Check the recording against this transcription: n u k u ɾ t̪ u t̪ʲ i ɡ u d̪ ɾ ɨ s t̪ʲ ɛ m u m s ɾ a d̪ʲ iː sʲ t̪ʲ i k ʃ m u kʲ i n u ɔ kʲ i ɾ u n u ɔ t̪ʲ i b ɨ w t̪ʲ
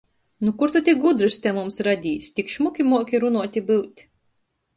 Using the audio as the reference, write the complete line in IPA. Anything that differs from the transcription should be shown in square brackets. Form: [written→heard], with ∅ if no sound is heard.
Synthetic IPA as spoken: n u k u ɾ t̪ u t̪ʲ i ɡ u d̪ ɾ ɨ s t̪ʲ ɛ m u m s ɾ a d̪ʲ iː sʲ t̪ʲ i k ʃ m u kʲ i [n→m] u ɔ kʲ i ɾ u n u ɔ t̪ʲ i b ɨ w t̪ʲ

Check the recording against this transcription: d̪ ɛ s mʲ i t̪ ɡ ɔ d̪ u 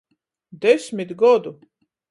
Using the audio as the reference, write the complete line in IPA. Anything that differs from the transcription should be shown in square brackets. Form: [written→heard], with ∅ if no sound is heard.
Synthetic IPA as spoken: d̪ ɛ s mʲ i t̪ ɡ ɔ d̪ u

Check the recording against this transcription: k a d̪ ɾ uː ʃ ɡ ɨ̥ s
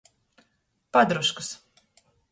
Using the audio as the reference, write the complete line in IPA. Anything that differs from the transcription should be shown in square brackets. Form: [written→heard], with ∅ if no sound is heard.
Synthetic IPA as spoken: [k→p] a d̪ ɾ [uː→u] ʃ [ɡ→k] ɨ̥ s

